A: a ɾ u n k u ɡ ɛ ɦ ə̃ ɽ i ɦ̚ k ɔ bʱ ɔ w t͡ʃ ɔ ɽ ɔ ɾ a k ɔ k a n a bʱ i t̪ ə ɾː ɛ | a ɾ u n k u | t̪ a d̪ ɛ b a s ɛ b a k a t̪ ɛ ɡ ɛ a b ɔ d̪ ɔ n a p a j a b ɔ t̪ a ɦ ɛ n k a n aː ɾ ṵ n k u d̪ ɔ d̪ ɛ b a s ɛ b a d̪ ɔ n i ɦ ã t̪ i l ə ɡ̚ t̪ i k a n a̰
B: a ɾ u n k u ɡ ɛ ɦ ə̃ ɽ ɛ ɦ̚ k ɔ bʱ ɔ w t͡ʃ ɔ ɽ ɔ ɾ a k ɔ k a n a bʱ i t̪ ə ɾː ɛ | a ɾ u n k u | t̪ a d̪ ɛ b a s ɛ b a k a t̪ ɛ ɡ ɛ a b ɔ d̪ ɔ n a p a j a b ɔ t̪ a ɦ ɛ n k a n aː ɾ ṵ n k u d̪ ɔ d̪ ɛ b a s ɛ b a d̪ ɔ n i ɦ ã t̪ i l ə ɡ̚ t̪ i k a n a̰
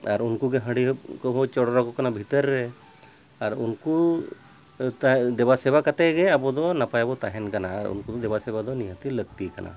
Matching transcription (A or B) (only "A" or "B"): A